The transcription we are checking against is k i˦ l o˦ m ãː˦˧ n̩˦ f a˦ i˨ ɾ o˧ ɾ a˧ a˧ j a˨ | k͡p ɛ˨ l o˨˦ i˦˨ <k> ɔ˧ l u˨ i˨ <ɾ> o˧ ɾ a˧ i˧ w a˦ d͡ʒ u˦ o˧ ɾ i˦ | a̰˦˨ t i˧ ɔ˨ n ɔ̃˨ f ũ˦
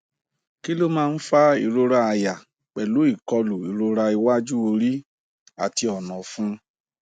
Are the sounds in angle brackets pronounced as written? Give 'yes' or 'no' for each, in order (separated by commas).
yes, yes